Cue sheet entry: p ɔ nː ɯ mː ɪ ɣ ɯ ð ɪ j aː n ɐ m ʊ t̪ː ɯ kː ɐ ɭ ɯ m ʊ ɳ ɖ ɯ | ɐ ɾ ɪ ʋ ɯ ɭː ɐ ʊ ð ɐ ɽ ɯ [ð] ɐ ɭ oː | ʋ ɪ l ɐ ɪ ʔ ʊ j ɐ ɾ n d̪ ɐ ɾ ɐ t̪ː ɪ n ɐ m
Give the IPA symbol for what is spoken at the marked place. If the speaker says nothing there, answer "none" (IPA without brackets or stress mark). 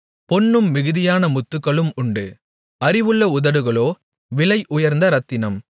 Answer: ɣ